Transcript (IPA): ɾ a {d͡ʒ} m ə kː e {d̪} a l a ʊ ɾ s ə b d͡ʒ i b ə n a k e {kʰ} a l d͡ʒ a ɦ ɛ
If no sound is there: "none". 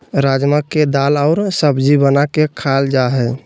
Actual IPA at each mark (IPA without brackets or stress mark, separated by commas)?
d͡ʒ, d̪, kʰ